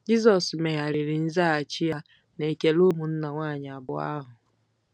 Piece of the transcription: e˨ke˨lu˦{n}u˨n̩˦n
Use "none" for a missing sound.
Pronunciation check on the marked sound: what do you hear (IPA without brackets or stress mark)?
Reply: m